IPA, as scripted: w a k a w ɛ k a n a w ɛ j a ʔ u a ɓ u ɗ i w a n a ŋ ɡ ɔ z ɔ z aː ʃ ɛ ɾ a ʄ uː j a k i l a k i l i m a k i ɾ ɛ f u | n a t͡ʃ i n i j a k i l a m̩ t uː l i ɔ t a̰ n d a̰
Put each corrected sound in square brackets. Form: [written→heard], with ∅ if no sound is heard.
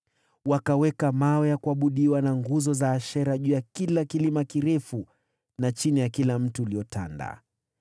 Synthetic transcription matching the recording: w a k a w ɛ k a [n→m] a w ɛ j a [ʔ→k] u a ɓ u ɗ i w a n a ŋ ɡ [ɔ→u] z ɔ z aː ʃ ɛ ɾ a ʄ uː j a k i l a k i l i m a k i ɾ ɛ f u | n a t͡ʃ i n i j a k i l a m̩ t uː l i ɔ t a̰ n d a̰